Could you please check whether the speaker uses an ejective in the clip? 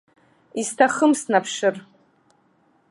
no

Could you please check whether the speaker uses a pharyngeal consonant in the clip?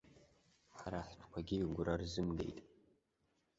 yes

